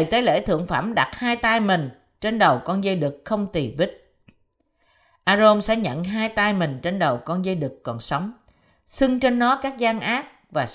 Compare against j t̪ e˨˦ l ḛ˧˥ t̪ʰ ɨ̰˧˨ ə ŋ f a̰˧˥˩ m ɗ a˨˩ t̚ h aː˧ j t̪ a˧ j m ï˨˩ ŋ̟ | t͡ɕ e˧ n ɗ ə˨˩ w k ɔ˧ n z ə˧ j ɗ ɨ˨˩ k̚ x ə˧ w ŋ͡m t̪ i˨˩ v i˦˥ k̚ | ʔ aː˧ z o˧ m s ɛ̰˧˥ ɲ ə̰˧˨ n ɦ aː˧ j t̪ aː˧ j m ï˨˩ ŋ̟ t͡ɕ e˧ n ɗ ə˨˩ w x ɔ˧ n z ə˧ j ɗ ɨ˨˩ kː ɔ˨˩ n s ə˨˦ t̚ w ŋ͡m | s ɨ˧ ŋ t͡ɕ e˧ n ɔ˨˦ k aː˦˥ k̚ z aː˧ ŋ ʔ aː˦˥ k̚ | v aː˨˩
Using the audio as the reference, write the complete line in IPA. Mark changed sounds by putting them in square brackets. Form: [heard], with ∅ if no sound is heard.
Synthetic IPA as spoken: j t̪ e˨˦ l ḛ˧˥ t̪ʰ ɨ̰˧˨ ə ŋ f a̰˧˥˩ m ɗ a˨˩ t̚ h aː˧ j t̪ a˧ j m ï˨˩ ŋ̟ | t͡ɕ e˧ n ɗ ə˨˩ w k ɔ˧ n z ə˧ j ɗ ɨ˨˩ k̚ x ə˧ w ŋ͡m t̪ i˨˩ v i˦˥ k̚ | ʔ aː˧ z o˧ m s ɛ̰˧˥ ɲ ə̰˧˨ n ɦ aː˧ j t̪ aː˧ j m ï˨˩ ŋ̟ t͡ɕ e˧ n ɗ ə˨˩ w [k] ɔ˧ n z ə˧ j ɗ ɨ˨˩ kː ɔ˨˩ n s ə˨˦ [∅] w ŋ͡m | s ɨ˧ ŋ t͡ɕ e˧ [nː] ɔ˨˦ k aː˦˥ k̚ z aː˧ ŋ ʔ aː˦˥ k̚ | v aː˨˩